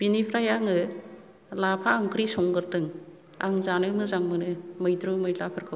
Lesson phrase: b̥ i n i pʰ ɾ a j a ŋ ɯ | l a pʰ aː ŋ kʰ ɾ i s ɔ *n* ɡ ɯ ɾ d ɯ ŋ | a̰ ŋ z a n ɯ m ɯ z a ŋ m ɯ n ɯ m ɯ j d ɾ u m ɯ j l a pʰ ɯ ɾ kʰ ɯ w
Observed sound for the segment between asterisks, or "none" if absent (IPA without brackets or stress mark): ŋ